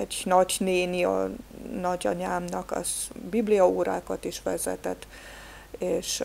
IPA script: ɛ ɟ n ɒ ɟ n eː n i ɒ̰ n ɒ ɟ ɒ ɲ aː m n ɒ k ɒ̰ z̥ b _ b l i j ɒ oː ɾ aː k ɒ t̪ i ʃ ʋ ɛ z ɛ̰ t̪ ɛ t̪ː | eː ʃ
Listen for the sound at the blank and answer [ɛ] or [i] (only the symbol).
i